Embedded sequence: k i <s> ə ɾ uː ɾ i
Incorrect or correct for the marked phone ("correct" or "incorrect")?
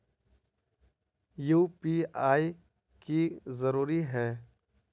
incorrect